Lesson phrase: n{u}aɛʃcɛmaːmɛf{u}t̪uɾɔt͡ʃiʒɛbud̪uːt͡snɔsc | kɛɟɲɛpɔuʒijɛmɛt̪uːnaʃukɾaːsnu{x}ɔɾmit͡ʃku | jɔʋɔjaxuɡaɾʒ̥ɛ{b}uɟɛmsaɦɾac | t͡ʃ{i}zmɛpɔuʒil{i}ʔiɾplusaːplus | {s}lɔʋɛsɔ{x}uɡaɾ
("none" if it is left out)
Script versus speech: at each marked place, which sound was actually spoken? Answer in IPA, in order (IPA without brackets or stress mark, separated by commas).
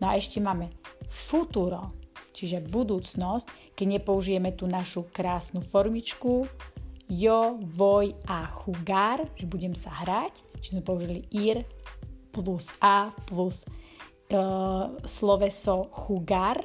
ɔ, u, f, b, i, i, s, x